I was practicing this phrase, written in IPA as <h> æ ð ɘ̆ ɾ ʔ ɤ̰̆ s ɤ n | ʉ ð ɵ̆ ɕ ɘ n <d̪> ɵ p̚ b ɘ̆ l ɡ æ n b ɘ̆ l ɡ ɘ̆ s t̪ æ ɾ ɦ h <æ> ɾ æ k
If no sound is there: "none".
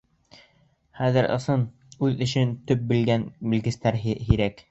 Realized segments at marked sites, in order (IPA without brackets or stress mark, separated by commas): χ, t̪, i